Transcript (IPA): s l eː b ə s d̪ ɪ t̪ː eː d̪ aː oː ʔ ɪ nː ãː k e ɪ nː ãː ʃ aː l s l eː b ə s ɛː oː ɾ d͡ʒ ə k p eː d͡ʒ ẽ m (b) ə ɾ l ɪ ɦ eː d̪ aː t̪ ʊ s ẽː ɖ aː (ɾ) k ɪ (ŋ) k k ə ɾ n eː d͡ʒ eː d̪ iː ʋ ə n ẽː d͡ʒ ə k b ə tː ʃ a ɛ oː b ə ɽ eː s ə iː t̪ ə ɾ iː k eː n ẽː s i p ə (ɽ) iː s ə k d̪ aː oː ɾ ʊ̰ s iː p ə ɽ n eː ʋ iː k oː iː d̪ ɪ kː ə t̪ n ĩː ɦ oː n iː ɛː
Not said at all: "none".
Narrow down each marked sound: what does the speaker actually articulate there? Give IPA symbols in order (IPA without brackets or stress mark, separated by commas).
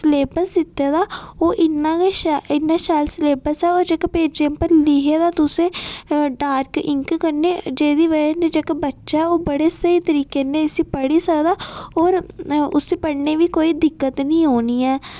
p, ɾ, ŋ, ɽ